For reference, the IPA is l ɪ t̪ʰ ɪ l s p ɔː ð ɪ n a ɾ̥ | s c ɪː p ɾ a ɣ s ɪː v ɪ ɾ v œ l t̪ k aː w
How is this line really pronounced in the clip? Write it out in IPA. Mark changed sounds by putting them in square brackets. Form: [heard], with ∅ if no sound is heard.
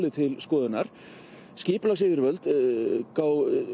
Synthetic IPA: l ɪ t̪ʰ ɪ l s [k] ɔː ð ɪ n a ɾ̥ | s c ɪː p [l] a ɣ s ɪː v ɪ ɾ v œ l t̪ k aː w